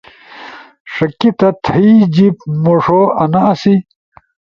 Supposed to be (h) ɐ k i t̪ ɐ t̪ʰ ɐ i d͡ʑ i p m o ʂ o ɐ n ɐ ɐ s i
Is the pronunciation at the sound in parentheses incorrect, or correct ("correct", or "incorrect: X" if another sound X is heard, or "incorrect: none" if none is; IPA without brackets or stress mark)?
incorrect: ʂ